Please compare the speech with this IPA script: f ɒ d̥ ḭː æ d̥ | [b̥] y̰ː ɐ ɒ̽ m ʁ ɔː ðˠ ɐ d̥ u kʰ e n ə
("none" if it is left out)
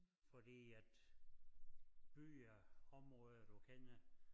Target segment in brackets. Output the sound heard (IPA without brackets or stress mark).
b̥